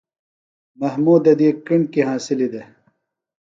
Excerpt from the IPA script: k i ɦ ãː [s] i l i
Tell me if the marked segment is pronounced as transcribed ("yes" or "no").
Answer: yes